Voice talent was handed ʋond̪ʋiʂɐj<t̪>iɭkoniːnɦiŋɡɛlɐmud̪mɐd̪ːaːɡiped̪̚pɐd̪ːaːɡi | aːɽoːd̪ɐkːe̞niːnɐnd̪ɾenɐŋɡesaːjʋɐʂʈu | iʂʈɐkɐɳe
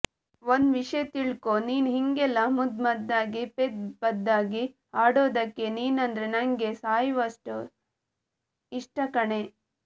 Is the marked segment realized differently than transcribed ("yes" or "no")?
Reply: no